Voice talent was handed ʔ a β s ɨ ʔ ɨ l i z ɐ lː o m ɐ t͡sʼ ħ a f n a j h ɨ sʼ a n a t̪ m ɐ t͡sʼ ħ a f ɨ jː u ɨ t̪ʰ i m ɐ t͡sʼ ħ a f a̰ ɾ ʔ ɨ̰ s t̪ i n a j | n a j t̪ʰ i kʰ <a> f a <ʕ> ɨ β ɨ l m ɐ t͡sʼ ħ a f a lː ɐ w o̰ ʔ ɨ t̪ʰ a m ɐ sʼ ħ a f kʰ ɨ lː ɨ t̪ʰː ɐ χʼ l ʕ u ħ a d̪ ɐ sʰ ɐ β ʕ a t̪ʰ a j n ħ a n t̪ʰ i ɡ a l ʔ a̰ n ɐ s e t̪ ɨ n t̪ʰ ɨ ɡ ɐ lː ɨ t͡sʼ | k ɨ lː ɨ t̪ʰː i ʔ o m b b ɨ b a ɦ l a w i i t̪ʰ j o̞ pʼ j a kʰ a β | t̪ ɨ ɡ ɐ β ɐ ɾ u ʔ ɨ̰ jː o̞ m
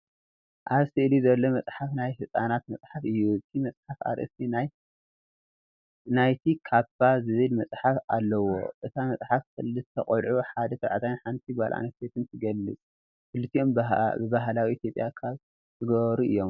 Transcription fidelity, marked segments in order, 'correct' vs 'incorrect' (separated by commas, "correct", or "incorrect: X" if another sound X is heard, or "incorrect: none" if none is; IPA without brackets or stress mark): correct, incorrect: z